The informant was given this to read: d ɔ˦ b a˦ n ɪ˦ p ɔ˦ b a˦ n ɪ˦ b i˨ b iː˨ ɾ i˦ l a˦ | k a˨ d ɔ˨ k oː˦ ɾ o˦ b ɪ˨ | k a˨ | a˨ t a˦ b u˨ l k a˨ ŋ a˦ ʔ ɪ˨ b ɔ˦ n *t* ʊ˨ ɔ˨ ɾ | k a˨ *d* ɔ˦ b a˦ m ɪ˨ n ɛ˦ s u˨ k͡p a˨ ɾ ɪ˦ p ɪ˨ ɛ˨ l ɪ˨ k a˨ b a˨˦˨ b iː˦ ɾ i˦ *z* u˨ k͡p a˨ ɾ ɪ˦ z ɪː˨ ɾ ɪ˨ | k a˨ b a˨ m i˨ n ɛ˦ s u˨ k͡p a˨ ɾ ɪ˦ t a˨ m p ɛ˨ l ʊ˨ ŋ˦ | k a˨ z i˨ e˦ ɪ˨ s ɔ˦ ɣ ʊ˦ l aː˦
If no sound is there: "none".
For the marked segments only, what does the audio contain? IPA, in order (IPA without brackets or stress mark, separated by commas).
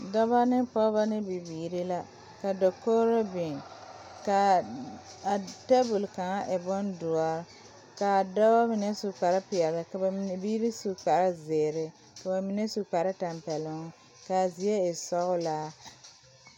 d, d, s